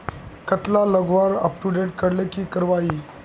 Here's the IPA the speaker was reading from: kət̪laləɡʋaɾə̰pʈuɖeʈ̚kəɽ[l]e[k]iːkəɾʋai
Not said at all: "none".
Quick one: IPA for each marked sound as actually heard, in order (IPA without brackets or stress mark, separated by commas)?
l, k